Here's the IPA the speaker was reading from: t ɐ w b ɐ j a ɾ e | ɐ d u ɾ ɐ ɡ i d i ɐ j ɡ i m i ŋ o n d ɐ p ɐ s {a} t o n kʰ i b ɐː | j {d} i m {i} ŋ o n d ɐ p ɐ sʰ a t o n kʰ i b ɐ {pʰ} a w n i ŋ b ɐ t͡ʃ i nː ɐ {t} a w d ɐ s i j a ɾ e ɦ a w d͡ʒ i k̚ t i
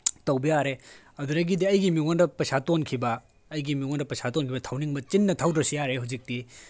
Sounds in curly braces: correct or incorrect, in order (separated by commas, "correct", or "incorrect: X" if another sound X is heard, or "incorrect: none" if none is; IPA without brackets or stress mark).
correct, incorrect: ɡ, correct, incorrect: tʰ, incorrect: tʰ